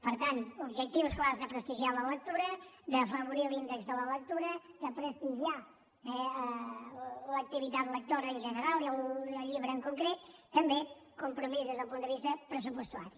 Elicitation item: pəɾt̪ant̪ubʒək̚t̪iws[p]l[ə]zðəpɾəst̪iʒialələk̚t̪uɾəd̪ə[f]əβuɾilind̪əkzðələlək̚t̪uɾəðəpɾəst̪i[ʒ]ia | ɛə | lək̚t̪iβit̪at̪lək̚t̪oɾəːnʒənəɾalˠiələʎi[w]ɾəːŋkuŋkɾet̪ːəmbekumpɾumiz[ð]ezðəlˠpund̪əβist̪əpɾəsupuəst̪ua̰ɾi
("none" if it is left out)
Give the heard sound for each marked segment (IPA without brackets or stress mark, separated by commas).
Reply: k, a, f, ʒ, β, ð